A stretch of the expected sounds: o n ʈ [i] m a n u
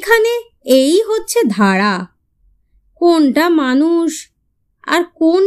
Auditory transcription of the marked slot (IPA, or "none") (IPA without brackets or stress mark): a